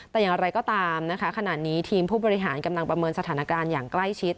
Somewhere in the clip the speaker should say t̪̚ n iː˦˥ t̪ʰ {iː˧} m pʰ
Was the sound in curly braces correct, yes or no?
yes